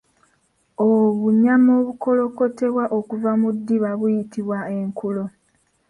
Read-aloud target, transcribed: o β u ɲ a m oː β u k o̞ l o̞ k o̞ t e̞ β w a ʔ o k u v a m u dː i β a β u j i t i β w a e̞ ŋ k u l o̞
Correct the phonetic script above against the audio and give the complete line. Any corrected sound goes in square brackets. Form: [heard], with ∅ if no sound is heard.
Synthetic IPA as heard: o β u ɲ a m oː β u k o̞ l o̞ k o̞ t e̞ β w a ʔ o k u v a m u dː i β a β u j i t i β w a e̞ ŋ k u l o̞